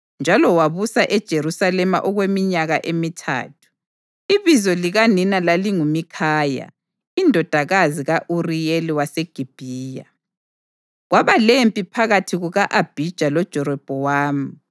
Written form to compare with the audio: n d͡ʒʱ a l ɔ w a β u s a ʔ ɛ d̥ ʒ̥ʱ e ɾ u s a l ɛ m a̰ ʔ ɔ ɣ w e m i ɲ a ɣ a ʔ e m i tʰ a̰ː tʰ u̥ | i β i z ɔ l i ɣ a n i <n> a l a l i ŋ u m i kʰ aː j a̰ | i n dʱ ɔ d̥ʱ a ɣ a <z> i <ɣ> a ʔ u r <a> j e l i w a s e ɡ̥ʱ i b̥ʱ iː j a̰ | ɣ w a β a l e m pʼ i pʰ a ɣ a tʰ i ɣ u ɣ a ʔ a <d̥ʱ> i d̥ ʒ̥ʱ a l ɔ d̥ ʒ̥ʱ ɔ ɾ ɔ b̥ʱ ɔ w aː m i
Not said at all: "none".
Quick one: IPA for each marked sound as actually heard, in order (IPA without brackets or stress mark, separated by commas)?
n, z, ɣ, i, b̥ʱ